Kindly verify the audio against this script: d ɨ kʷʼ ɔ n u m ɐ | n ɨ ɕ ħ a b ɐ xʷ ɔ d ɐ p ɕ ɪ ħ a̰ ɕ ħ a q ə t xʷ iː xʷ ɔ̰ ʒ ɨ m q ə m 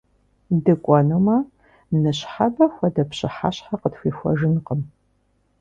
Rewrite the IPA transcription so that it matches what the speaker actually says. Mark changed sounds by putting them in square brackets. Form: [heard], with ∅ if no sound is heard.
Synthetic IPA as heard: d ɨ kʷʼ ɔ n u m ɐ | n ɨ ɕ ħ a b ɐ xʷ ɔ d ɐ p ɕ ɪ ħ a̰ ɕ ħ a q ə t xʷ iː xʷ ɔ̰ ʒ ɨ [n] q ə m